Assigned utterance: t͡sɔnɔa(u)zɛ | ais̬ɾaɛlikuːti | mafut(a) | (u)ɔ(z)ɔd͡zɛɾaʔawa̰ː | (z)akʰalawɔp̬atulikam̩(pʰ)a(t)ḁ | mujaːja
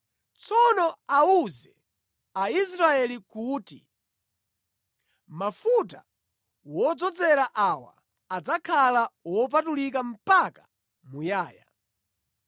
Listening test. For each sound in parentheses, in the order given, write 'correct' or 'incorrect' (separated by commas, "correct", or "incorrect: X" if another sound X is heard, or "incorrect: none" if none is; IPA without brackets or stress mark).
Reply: correct, correct, incorrect: w, incorrect: d͡z, incorrect: d͡z, incorrect: p, incorrect: k